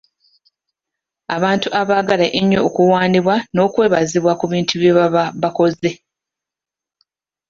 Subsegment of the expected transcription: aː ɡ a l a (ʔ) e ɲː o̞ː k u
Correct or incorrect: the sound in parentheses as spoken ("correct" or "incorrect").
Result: correct